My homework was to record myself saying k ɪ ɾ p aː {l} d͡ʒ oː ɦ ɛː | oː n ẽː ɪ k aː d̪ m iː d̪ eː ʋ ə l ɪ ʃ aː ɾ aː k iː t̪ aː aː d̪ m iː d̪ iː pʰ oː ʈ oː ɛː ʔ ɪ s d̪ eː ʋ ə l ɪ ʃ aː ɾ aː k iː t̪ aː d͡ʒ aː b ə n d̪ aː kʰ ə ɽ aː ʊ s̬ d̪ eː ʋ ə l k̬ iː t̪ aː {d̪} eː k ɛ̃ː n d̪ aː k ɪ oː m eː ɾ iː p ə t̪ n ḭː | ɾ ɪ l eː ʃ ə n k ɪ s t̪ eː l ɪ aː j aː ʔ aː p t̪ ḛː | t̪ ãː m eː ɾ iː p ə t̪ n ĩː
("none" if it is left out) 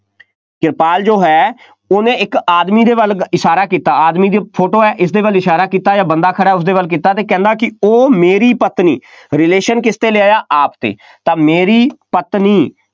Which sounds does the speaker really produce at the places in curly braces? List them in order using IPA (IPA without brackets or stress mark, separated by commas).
l, t̪